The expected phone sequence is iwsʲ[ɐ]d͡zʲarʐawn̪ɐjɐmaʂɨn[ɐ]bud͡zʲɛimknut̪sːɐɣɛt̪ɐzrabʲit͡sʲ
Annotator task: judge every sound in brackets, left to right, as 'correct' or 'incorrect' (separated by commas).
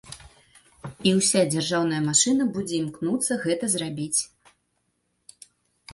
incorrect, correct